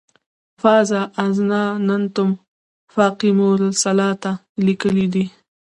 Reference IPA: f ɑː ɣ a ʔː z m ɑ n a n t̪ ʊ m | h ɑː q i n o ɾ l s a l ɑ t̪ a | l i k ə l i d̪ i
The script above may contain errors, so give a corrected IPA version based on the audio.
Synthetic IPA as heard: f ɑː z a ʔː z n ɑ n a n t̪ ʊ m | f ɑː q i m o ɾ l s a l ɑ t̪ a | l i k ə l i d̪ i